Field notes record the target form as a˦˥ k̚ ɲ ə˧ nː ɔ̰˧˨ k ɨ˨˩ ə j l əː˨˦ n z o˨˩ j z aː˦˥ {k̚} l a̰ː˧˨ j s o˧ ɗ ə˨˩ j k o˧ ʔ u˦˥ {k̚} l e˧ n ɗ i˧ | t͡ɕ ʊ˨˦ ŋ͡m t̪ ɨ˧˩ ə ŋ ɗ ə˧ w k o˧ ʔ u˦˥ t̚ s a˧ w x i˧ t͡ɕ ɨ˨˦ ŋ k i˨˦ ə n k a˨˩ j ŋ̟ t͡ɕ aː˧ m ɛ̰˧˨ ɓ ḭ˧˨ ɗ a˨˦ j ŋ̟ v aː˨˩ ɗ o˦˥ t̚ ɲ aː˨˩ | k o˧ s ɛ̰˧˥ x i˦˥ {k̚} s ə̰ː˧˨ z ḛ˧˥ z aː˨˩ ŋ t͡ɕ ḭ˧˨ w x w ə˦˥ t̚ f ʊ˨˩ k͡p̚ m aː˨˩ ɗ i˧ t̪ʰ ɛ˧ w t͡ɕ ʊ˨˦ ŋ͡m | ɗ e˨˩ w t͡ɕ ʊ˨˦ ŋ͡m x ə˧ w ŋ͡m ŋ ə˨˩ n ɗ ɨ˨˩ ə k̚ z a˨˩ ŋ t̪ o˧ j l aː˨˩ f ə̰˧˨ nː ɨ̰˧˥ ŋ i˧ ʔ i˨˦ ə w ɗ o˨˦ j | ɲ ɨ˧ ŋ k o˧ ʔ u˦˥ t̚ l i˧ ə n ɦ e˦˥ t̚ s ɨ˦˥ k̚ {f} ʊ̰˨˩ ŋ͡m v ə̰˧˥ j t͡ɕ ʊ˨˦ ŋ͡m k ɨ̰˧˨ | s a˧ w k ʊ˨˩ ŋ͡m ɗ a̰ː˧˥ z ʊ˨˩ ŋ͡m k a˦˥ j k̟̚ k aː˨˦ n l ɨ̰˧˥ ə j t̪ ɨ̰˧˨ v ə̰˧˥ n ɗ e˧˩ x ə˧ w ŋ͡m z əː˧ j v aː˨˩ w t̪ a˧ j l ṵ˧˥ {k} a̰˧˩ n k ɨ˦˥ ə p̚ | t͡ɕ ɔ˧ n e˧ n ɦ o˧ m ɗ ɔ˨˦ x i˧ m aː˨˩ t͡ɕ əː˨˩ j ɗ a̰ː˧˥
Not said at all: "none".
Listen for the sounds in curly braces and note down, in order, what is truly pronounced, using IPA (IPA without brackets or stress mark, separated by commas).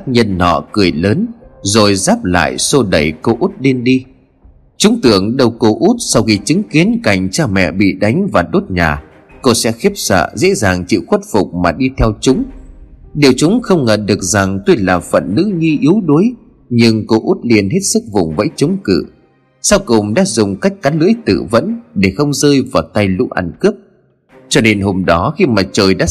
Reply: p̚, t̚, p̚, v, ʔ